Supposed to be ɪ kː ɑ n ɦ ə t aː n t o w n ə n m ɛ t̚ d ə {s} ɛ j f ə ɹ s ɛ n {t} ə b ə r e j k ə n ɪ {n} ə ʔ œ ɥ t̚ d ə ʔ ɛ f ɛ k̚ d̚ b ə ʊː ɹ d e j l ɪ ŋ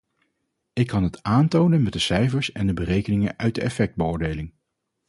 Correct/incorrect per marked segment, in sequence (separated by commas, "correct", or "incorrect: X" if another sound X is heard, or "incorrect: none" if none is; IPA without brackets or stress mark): correct, incorrect: d, incorrect: ŋ